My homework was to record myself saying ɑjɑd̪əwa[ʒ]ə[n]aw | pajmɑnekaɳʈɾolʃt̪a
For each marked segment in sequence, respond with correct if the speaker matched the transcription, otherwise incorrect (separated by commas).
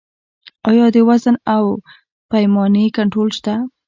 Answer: incorrect, correct